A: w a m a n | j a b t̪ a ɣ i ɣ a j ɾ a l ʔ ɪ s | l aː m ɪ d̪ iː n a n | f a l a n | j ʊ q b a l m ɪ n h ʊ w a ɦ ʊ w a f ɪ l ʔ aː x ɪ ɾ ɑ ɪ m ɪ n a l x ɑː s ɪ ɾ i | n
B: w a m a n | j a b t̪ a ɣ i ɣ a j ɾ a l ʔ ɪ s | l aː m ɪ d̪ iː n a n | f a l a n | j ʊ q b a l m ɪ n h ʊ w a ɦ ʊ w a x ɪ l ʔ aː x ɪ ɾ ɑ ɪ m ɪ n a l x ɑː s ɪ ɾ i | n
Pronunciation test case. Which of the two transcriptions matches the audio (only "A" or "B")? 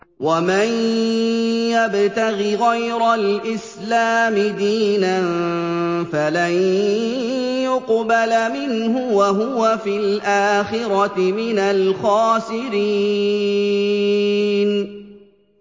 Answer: A